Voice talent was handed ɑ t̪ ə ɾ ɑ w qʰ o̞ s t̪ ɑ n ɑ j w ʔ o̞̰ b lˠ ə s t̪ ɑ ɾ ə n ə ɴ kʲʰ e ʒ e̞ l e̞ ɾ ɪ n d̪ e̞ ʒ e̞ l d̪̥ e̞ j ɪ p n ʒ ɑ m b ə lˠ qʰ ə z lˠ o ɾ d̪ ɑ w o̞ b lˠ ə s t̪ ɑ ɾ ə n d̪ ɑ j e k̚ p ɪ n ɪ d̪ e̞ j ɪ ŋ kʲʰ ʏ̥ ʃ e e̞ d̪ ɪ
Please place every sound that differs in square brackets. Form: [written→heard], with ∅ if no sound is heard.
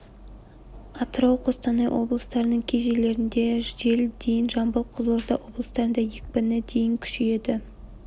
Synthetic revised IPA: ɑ t̪ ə ɾ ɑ w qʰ o̞ s t̪ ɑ n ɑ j w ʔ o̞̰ b lˠ ə s t̪ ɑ ɾ ə n ə ɴ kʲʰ e ʒ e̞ l e̞ ɾ ɪ n d̪ e̞ ʒ e̞ l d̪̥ e̞ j ɪ [p→∅] n ʒ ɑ m b ə lˠ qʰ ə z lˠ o ɾ d̪ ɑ w o̞ b lˠ ə s t̪ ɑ ɾ ə n d̪ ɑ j e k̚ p ɪ n ɪ d̪ e̞ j ɪ ŋ kʲʰ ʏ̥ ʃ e e̞ d̪ ɪ